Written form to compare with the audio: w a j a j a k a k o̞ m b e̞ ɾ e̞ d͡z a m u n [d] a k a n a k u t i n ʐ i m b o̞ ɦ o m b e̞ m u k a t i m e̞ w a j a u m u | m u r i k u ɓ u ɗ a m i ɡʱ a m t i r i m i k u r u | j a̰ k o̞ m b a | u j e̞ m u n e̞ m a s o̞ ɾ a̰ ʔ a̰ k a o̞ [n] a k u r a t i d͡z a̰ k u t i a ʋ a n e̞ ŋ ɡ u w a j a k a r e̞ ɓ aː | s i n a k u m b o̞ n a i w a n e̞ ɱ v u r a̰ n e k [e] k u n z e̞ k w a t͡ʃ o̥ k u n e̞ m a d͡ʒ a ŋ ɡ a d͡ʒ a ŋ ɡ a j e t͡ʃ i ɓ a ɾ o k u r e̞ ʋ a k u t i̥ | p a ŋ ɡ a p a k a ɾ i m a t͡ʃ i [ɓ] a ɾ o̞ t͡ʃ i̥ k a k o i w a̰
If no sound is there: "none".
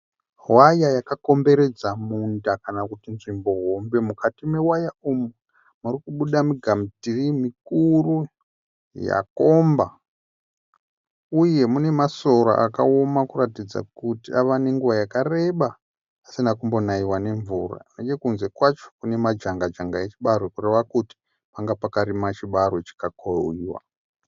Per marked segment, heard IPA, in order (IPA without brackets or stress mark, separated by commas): d, m, e, ɓ